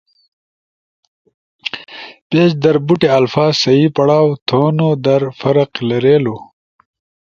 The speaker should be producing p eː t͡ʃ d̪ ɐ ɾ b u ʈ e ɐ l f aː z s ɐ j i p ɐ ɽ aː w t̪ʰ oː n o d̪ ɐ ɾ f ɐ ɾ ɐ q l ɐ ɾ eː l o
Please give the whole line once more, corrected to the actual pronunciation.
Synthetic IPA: p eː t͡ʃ d̪ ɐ ɾ b u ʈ e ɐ l f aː z s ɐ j i p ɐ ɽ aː w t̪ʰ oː n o d̪ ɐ ɾ f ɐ ɾ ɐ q l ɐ ɾ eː l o